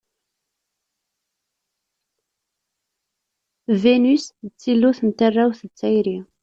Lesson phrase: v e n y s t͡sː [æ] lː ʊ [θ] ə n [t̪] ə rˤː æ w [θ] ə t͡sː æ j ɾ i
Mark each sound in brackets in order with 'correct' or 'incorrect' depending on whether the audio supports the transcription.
incorrect: i, correct, correct, correct

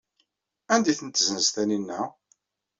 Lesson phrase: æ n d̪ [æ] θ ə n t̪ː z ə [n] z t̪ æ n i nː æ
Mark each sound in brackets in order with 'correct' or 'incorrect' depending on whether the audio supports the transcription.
incorrect: i, correct

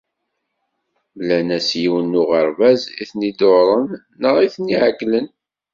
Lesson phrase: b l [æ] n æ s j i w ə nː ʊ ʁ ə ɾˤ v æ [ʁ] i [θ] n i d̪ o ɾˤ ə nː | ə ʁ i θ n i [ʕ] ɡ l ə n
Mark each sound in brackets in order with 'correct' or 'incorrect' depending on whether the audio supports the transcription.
correct, incorrect: z, correct, correct

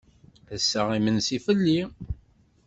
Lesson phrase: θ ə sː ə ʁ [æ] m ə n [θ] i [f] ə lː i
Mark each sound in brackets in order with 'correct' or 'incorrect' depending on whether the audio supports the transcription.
incorrect: i, incorrect: s, correct

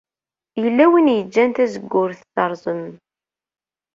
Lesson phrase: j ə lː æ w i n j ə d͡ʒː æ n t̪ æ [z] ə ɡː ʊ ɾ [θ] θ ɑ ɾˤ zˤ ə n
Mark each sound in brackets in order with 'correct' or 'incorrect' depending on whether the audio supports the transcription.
correct, correct

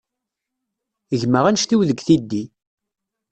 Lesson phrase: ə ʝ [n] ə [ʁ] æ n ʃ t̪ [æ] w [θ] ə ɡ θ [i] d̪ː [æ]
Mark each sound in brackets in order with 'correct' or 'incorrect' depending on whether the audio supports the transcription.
incorrect: m, correct, incorrect: i, incorrect: ð, correct, incorrect: i

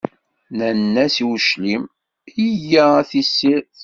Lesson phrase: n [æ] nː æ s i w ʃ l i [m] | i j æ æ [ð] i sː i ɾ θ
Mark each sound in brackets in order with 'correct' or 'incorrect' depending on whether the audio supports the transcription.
correct, correct, incorrect: θ

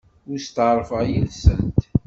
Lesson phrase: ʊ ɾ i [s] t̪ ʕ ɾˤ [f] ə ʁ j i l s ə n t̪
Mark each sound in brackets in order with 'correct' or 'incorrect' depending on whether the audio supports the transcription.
correct, correct

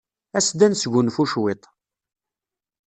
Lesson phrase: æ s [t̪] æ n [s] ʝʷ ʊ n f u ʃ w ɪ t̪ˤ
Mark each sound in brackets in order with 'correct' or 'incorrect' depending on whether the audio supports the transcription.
incorrect: d̪, correct

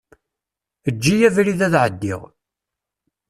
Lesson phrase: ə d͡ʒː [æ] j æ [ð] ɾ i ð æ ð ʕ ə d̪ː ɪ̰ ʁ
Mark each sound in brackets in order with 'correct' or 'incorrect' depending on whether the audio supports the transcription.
incorrect: i, incorrect: v

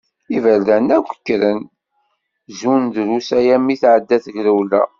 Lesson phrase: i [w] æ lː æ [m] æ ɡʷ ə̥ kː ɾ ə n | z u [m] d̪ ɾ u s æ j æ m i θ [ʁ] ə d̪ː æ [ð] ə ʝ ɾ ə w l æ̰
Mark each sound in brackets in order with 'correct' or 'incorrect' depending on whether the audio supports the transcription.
incorrect: v, incorrect: n, incorrect: n, incorrect: ʕ, incorrect: θ

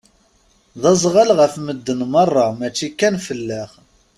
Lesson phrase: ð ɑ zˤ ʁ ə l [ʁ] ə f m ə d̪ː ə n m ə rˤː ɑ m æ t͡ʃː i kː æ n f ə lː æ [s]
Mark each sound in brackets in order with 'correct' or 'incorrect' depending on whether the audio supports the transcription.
correct, incorrect: χ

